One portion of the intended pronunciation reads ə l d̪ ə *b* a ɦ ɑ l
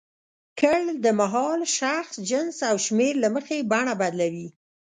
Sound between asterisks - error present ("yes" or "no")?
yes